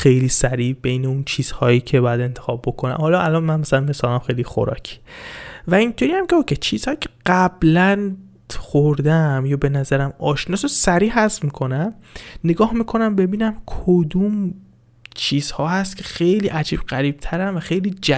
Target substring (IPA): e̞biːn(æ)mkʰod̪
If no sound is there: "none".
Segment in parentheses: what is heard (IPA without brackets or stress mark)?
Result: æ